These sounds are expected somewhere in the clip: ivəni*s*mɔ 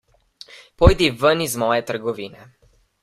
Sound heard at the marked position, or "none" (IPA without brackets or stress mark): z